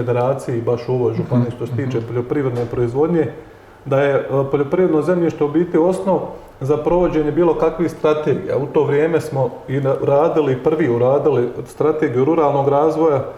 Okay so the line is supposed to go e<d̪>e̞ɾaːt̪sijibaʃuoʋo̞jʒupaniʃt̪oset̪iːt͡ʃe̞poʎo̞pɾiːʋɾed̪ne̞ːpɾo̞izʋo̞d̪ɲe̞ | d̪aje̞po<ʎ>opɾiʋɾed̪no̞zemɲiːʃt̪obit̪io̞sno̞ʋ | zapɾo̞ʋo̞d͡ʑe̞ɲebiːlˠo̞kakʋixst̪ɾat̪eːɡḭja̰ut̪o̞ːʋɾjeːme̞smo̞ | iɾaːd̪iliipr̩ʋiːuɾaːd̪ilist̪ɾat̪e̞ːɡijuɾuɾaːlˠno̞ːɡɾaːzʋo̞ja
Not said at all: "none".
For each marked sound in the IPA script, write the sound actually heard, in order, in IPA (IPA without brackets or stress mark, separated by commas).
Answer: d̪, ʎ